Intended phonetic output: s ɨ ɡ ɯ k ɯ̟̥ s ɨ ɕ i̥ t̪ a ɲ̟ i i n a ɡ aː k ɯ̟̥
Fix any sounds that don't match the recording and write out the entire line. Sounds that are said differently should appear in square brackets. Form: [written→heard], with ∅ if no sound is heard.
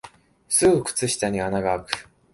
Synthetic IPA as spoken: s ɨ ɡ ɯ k ɯ̟̥ [s→t͡s] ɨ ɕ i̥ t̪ a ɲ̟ i [i→a] n a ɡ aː k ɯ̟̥